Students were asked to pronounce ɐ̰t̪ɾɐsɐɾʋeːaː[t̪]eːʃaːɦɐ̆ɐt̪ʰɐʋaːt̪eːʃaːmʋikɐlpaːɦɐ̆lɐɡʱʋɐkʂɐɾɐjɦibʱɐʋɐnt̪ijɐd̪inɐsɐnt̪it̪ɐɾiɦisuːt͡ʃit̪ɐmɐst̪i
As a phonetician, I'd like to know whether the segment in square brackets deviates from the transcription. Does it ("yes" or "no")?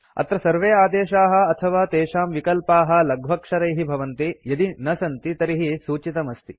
yes